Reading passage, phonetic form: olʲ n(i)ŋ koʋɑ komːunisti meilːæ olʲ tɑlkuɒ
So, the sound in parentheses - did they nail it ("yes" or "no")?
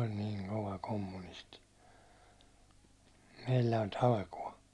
no